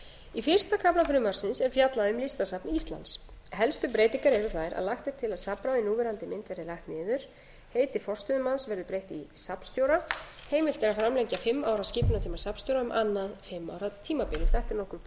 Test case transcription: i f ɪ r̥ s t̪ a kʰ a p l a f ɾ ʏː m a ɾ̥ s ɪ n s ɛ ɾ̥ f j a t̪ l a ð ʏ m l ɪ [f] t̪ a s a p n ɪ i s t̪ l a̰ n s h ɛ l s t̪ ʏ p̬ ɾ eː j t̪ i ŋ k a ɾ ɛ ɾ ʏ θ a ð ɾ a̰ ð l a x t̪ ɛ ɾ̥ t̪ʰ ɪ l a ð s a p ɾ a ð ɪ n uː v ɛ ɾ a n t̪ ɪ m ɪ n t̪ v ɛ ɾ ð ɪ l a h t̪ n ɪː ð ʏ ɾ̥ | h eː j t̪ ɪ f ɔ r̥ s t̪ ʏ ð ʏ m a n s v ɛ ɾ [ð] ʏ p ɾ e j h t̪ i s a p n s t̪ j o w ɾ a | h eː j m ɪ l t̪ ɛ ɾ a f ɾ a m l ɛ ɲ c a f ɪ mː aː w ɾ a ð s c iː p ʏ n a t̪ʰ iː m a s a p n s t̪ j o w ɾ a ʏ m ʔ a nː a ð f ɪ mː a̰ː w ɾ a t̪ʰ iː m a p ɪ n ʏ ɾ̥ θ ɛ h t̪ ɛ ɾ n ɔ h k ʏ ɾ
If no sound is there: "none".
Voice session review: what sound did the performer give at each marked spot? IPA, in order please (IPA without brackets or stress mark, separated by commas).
s, ð